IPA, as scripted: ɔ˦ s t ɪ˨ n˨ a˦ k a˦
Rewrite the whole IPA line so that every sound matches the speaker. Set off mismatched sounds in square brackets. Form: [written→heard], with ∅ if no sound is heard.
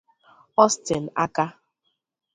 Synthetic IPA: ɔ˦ s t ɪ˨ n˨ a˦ k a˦